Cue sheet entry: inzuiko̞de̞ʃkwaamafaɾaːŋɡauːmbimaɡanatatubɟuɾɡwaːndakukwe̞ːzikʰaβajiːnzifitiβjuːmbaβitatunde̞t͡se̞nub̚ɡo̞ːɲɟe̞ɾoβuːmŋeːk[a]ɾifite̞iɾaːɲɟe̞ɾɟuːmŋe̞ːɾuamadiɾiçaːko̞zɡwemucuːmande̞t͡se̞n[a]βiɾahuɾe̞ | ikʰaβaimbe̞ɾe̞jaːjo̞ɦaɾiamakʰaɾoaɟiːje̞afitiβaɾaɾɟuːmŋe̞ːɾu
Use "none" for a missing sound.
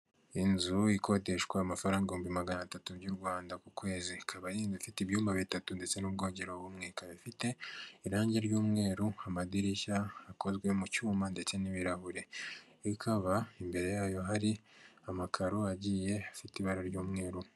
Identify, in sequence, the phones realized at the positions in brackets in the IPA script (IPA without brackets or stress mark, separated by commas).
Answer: a, i